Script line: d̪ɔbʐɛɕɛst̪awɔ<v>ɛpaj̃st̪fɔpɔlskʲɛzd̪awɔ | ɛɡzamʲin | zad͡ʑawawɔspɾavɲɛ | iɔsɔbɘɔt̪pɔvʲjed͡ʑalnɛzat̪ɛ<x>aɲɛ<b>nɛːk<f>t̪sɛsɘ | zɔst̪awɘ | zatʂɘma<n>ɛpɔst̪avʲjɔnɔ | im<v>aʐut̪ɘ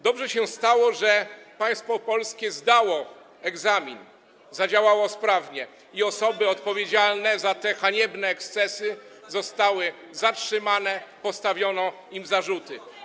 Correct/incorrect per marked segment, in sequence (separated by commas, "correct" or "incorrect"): incorrect, correct, correct, incorrect, correct, incorrect